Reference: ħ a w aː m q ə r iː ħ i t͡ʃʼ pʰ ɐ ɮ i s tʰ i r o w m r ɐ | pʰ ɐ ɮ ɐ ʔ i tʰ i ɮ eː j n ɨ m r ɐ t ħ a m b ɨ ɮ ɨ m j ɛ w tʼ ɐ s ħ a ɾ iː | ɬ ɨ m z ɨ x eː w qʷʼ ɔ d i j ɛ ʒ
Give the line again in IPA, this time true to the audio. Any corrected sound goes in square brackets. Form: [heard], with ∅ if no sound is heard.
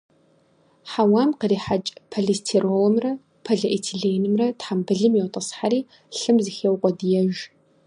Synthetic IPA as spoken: ħ a w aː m q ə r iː ħ [a] t͡ʃʼ pʰ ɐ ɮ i s tʰ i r o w m r ɐ | pʰ ɐ ɮ ɐ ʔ i tʰ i ɮ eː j n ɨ m r ɐ t ħ a m b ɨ ɮ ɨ m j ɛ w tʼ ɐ s ħ a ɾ iː | ɬ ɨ m z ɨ x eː w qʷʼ ɔ d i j ɛ ʒ

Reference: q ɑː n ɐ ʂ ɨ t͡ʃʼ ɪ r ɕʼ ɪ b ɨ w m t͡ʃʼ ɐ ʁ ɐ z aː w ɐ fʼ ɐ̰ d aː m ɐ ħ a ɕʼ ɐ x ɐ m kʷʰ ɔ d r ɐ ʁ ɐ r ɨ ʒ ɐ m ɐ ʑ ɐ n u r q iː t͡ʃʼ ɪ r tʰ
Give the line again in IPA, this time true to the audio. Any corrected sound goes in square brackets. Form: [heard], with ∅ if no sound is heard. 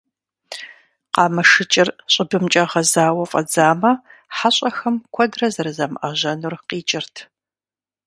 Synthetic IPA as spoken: q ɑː [m] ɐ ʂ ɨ t͡ʃʼ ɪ r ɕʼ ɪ b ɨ [∅] m t͡ʃʼ ɐ ʁ ɐ z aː w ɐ fʼ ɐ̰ [d͡z] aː m ɐ ħ a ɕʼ ɐ x ɐ m kʷʰ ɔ d r ɐ [z] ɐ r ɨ [z] ɐ m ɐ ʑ ɐ n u r q iː t͡ʃʼ ɪ r tʰ

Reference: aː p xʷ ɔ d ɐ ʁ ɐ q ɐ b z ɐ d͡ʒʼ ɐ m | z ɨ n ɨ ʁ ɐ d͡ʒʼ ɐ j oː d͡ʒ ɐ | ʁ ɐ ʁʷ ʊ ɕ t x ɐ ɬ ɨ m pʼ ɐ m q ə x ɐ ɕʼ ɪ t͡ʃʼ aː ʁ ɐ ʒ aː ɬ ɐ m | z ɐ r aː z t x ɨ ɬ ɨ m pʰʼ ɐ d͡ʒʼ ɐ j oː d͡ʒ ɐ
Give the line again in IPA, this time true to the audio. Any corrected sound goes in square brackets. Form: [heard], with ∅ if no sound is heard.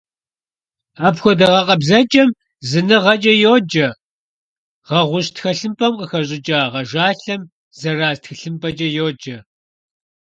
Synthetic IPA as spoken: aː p xʷ ɔ d ɐ ʁ ɐ q ɐ b z ɐ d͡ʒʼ ɐ m | z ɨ n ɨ ʁ ɐ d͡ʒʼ ɐ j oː d͡ʒ ɐ | ʁ ɐ ʁʷ ʊ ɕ t x ɐ ɬ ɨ m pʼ ɐ m q ə x ɐ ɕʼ ɪ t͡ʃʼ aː ʁ ɐ ʒ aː ɬ ɐ m | z ɐ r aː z t x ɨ ɬ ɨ m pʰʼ ɐ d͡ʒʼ ɐ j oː d͡ʒ ɐ

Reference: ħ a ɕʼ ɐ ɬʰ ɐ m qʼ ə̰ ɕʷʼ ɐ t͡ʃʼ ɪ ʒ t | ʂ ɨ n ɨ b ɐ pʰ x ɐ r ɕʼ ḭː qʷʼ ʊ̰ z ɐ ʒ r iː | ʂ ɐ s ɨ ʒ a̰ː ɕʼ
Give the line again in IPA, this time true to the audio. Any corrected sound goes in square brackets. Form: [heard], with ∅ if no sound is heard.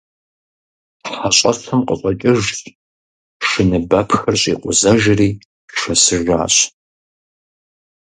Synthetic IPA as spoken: ħ a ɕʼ ɐ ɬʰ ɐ m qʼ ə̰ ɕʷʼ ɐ t͡ʃʼ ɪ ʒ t | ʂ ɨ n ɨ b ɐ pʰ x ɐ r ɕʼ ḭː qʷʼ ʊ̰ z ɐ ʒ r iː | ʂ ɐ s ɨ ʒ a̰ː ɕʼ

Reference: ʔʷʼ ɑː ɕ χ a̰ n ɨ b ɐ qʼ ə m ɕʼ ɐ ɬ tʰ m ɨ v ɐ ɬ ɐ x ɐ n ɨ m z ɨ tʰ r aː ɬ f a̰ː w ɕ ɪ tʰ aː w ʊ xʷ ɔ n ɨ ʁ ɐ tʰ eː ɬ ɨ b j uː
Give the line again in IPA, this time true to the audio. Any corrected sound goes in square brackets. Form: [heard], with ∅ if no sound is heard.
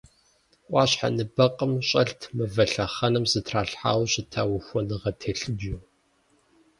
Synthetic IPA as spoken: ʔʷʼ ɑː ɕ [ħ] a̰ n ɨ b ɐ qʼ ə m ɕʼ ɐ ɬ tʰ m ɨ v ɐ ɬ ɐ [χ] ɐ n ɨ m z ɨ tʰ r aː ɬ [ħ] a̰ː w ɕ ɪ tʰ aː w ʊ xʷ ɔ n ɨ ʁ ɐ tʰ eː ɬ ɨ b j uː

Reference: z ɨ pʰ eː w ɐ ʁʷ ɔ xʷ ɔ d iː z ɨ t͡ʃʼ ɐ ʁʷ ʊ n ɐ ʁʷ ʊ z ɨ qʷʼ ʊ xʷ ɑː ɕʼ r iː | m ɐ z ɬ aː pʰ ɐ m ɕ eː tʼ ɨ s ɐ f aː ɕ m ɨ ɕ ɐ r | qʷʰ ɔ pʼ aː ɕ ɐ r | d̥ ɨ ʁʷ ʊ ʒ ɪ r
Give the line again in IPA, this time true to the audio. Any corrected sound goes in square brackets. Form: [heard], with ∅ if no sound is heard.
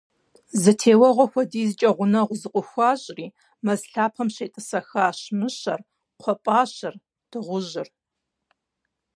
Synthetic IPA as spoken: z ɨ [tʰ] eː w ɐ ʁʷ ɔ xʷ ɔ d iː z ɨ t͡ʃʼ ɐ ʁʷ ʊ n ɐ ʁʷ ʊ z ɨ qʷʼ ʊ xʷ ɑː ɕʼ r iː | m ɐ z ɬ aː pʰ ɐ m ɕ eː tʼ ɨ s ɐ [x] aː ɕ m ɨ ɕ ɐ r | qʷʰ ɔ pʼ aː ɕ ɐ r | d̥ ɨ ʁʷ ʊ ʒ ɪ r

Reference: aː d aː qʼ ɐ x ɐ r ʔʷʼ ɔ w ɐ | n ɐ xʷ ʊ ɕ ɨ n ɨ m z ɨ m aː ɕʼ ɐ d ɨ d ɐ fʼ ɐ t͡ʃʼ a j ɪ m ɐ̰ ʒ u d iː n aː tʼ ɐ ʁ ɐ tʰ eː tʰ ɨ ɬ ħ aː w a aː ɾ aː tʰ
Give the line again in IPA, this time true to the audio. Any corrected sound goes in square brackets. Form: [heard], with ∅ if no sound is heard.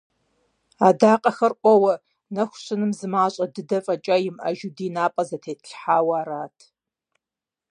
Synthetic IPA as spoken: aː d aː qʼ ɐ x ɐ r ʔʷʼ ɔ w ɐ | n ɐ xʷ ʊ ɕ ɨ n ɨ m z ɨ m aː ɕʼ ɐ d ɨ d ɐ fʼ ɐ t͡ʃʼ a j ɪ m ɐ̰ ʒ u d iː n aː [pʼ] ɐ [z] ɐ tʰ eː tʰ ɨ ɬ ħ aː w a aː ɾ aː tʰ

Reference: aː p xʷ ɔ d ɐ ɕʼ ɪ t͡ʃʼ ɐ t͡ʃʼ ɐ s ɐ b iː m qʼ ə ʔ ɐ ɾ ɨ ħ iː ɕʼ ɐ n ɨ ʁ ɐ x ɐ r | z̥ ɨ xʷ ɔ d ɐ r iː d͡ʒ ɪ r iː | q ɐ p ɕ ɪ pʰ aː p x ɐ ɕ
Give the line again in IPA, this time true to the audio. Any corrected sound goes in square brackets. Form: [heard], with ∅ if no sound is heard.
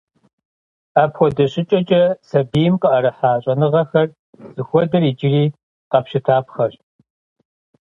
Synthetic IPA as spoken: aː p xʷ ɔ d ɐ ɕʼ ɪ t͡ʃʼ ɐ t͡ʃʼ ɐ s ɐ b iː m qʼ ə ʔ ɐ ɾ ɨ ħ [aː] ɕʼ ɐ n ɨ ʁ ɐ x ɐ r | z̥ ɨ xʷ ɔ d ɐ r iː d͡ʒ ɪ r iː | q ɐ p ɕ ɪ [tʰ] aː p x ɐ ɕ

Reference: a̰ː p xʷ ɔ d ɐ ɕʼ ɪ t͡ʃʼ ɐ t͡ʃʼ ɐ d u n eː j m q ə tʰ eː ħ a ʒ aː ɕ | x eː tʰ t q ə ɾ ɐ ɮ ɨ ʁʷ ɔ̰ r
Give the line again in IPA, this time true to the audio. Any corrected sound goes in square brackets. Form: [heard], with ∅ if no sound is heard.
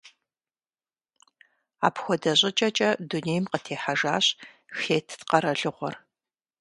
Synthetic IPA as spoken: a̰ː p xʷ ɔ d ɐ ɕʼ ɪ t͡ʃʼ ɐ t͡ʃʼ ɐ d u n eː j m q ə tʰ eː ħ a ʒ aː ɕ | x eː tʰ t q [ɐ] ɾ ɐ ɮ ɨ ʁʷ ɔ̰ r

